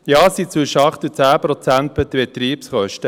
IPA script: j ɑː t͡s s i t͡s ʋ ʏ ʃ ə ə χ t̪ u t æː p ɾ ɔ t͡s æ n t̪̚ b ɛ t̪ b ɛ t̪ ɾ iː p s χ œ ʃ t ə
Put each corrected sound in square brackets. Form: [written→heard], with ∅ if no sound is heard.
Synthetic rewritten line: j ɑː [t͡s→∅] s i t͡s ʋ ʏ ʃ ə [ə→ɑ] χ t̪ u [t→t͡s] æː p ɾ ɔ t͡s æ n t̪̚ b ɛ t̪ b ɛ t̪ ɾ iː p s χ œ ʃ t ə